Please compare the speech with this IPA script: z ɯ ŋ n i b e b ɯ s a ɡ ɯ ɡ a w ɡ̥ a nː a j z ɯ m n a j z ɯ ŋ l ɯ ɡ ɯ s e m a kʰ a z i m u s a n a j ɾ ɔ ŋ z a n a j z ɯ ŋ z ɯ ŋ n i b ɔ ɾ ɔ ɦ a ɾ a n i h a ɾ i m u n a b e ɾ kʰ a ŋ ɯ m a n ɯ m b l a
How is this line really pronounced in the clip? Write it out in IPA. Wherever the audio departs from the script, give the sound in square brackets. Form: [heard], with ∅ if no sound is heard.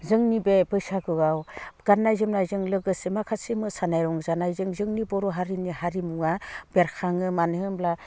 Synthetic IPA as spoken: z ɯ ŋ n i b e b ɯ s a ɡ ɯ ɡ a w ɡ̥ a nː a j z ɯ m n a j z ɯ ŋ l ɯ ɡ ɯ s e m a kʰ a [s] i m [ɯ] s a n a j ɾ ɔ ŋ z a n a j z ɯ ŋ z ɯ ŋ n i b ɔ ɾ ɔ ɦ a ɾ [i] n i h a ɾ i m u [ŋ] a b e ɾ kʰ a ŋ ɯ m a n ɯ m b l a